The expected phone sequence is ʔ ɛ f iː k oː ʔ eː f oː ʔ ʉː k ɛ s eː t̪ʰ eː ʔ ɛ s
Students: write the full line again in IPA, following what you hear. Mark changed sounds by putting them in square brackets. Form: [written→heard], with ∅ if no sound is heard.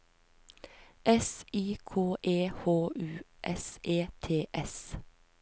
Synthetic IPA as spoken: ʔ ɛ [f→s] iː [k→kʰ] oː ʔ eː [f→h] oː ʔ ʉː [k→ʔ] ɛ s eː t̪ʰ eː ʔ ɛ s